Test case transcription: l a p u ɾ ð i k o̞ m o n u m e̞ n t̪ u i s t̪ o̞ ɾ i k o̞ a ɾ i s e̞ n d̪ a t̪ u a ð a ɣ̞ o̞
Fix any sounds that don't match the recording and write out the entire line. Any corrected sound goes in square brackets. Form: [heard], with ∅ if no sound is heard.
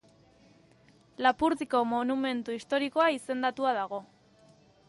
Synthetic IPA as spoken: l a p u ɾ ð i k o̞ m o n u m e̞ n t̪ u i s t̪ o̞ ɾ i k o̞ a [∅] i s e̞ n d̪ a t̪ u a ð a ɣ̞ o̞